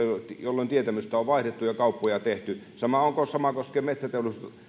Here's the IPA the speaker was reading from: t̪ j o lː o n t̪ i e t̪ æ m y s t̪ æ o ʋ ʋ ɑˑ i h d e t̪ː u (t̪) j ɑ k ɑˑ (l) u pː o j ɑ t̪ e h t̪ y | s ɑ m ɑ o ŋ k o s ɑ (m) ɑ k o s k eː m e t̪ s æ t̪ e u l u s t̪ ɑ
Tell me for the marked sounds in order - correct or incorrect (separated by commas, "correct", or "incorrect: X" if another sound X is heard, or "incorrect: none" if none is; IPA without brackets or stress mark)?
incorrect: none, incorrect: none, correct